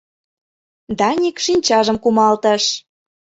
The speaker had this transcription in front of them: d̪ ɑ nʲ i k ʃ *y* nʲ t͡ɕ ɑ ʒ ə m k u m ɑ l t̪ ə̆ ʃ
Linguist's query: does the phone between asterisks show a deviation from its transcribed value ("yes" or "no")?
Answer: yes